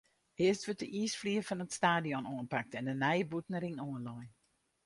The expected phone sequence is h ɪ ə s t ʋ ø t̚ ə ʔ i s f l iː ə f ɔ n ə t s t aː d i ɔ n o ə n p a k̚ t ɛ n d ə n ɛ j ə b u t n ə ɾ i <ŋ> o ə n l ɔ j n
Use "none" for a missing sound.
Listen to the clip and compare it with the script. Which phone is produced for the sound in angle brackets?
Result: ŋ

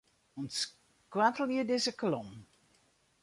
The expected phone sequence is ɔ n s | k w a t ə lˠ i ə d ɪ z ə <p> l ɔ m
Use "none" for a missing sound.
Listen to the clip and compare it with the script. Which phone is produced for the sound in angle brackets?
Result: k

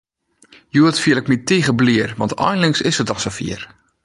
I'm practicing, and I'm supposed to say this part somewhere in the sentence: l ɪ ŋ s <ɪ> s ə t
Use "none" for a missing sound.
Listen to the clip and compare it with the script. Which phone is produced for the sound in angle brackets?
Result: ɪ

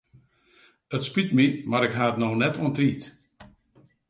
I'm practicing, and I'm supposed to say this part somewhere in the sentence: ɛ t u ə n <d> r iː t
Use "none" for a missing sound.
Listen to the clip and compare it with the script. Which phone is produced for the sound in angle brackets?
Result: t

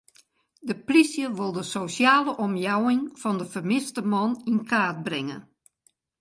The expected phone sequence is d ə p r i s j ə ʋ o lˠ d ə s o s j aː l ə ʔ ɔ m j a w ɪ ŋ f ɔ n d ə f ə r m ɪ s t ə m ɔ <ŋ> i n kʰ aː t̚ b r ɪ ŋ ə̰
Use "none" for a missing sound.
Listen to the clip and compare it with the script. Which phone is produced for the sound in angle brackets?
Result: n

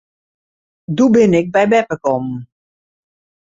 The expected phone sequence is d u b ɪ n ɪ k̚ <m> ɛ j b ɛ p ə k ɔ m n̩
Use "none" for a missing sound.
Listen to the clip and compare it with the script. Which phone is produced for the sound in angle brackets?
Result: b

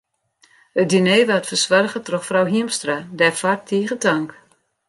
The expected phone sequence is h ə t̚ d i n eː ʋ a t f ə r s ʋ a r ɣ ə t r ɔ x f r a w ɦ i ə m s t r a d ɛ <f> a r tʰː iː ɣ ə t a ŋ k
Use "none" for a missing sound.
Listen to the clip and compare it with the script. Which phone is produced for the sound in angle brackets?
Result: f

